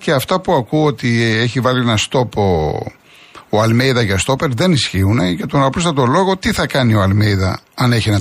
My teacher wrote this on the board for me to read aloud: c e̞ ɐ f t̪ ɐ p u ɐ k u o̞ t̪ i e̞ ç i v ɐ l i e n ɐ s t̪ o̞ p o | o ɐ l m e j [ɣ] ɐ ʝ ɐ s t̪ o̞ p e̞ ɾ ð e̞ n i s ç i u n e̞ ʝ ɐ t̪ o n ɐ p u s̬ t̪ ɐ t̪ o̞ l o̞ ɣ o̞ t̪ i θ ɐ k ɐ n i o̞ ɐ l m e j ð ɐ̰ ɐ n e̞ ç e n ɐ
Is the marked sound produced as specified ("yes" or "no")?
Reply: no